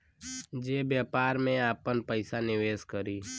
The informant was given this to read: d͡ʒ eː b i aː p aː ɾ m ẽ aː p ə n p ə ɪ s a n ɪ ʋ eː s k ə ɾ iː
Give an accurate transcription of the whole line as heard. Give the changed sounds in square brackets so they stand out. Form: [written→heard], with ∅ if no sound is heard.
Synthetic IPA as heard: d͡ʒ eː b [i→j] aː p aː ɾ m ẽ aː p ə n p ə ɪ s a n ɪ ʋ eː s k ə ɾ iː